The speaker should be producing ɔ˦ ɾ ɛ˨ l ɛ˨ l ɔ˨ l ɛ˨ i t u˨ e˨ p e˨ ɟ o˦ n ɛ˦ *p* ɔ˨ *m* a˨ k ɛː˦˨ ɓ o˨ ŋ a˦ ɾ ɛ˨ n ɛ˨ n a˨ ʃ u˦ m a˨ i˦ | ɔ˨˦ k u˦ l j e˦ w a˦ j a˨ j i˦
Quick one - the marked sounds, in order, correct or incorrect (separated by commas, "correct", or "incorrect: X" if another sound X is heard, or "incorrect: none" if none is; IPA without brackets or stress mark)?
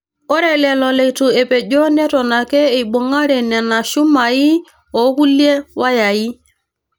incorrect: t, incorrect: n